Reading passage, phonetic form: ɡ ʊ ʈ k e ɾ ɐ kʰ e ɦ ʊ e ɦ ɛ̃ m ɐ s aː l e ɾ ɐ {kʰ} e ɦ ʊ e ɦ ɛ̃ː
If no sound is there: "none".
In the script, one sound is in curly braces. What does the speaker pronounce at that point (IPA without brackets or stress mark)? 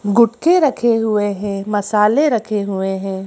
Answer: kʰ